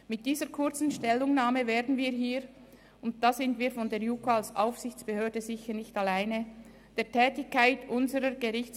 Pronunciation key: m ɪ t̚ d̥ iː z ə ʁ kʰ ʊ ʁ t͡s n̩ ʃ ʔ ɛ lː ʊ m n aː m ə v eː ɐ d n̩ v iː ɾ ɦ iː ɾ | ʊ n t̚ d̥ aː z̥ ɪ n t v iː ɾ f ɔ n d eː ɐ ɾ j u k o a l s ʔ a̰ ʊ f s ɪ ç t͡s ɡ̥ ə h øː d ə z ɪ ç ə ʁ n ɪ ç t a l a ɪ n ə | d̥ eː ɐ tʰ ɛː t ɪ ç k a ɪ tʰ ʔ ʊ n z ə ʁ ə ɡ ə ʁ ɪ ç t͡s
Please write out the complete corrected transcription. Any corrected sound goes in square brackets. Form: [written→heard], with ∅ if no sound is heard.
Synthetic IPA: m ɪ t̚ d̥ iː z ə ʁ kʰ ʊ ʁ t͡s n̩ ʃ [ʔ→t] ɛ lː ʊ [m→ŋ] n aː m ə v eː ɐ d n̩ v iː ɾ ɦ iː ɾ | ʊ n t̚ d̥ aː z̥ ɪ n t v iː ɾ f ɔ n d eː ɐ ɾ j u k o a l s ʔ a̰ ʊ f s ɪ ç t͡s [ɡ̥→b̥] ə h øː d ə z ɪ ç ə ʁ n ɪ ç t a l a ɪ n ə | d̥ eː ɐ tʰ ɛː t ɪ ç k a ɪ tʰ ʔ ʊ n z ə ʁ ə ɡ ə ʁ ɪ ç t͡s